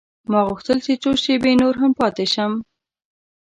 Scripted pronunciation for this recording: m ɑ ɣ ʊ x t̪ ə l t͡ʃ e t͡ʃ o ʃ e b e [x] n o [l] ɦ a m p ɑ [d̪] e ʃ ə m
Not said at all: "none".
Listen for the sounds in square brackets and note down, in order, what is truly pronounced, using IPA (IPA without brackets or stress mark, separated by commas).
none, ɾ, t̪